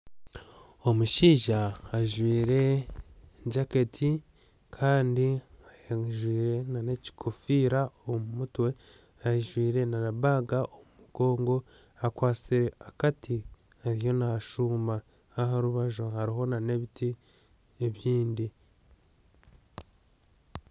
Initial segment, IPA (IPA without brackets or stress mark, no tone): o̞